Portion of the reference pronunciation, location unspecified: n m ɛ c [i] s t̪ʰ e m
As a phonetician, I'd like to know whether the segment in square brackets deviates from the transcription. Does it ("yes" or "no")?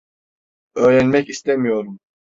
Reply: no